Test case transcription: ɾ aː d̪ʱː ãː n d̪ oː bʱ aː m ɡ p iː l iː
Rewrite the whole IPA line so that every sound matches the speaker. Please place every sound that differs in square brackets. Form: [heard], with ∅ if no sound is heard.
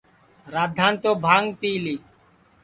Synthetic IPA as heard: ɾ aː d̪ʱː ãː n [t̪] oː bʱ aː [ŋ] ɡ p iː l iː